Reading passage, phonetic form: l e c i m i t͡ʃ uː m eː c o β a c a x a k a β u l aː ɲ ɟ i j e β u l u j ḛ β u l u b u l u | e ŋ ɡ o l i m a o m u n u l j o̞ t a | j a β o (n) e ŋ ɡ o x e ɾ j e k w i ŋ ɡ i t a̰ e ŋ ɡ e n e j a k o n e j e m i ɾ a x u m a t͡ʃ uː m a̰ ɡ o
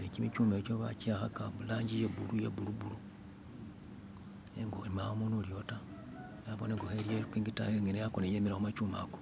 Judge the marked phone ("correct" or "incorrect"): correct